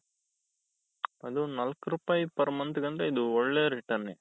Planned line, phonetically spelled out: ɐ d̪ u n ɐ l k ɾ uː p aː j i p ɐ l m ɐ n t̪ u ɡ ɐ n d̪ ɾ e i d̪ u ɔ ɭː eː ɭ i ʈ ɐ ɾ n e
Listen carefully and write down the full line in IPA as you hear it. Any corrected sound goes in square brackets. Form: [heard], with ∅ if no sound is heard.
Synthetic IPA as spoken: ɐ d̪ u n ɐ l k ɾ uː p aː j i p ɐ [ɾ] m ɐ n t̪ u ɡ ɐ n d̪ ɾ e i d̪ u ɔ ɭː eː [ɾ] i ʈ ɐ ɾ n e